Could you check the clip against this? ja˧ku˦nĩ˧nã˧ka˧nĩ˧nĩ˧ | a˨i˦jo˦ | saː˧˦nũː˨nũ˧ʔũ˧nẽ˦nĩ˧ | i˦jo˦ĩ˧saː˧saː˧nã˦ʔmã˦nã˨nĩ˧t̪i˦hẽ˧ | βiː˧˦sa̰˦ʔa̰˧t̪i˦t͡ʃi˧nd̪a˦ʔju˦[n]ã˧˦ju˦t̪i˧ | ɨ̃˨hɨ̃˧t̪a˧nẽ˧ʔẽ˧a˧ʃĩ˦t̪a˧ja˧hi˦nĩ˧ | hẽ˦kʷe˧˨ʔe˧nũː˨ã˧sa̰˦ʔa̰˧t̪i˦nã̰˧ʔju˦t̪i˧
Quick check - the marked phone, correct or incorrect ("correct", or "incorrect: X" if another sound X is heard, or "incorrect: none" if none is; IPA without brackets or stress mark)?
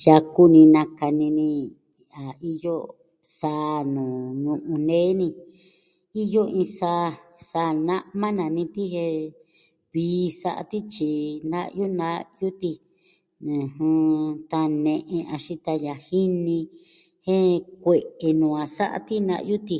correct